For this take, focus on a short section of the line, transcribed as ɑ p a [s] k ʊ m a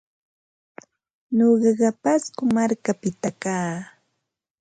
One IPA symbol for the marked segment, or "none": s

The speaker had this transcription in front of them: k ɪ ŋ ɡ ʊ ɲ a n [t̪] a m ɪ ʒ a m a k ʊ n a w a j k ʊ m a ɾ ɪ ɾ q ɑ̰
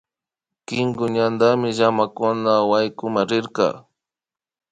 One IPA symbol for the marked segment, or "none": d̪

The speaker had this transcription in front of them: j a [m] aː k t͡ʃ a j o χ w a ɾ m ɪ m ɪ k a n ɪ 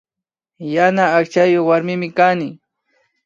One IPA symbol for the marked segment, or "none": n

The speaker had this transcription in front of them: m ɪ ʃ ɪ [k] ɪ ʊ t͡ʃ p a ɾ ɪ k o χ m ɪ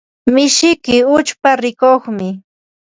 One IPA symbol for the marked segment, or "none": k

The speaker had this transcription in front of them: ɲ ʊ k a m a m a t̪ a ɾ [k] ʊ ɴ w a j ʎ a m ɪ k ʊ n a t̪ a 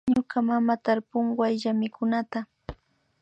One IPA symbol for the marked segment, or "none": p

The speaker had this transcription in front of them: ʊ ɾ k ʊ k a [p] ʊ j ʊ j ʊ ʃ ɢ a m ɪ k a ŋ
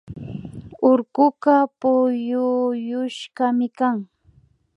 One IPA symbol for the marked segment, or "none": p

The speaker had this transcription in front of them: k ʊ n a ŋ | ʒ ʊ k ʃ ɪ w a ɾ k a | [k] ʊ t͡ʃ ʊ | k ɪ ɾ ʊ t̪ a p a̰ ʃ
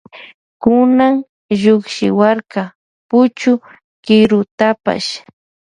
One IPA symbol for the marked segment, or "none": p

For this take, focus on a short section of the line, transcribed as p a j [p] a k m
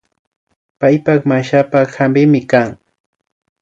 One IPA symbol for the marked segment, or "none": p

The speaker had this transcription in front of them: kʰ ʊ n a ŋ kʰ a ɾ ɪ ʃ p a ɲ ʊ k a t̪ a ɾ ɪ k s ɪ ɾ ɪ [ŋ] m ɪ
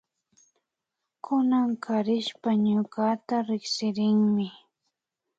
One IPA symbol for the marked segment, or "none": ŋ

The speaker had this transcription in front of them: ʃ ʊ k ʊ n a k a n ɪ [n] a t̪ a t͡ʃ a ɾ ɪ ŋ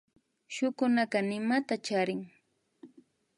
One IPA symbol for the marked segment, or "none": m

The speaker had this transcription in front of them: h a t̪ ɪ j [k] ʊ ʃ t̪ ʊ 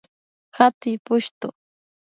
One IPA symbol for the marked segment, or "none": p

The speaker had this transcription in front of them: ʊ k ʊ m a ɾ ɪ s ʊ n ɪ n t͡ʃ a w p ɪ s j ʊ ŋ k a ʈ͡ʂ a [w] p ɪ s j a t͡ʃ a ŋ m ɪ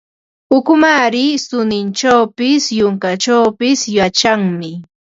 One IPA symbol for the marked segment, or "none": w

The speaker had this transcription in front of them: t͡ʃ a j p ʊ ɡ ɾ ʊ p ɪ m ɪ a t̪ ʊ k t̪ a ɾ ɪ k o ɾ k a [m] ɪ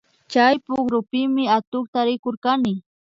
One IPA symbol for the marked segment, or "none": n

